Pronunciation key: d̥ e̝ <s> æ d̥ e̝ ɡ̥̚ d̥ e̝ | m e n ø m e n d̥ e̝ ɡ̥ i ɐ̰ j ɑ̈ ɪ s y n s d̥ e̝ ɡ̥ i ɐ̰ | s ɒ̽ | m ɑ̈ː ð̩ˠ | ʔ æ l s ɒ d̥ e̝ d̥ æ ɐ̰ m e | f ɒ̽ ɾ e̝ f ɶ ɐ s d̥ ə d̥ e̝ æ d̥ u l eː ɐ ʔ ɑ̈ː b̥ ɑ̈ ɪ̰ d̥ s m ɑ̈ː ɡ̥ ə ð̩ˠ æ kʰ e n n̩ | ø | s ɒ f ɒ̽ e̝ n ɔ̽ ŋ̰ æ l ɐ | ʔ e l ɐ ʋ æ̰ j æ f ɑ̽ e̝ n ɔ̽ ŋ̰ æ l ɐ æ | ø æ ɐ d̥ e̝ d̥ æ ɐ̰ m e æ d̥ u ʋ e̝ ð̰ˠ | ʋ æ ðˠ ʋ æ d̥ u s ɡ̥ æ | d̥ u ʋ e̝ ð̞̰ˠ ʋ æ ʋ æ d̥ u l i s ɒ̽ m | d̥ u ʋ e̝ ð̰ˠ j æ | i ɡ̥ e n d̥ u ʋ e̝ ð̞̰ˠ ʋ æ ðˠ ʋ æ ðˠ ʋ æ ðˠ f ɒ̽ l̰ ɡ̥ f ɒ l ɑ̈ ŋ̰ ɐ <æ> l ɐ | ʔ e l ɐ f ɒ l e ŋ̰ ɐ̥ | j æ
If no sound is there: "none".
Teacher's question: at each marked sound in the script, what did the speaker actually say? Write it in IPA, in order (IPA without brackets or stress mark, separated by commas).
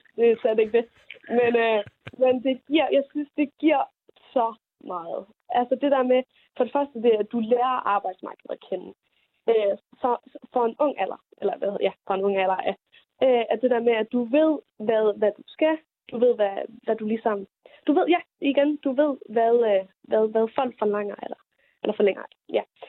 s, e